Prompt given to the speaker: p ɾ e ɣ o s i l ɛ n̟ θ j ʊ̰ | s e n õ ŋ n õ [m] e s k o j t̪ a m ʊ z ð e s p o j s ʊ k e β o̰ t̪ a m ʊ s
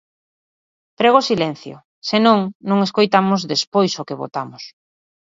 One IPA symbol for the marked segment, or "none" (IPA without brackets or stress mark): ŋ